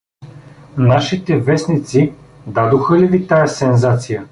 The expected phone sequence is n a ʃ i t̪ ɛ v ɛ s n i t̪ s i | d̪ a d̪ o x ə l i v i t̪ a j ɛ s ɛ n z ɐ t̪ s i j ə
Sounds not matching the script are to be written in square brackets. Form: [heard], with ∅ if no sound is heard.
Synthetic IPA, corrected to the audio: n a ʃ i t̪ ɛ v ɛ s n i t̪ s i | d̪ a d̪ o x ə l i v i t̪ a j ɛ s ɛ n z [a] t̪ s i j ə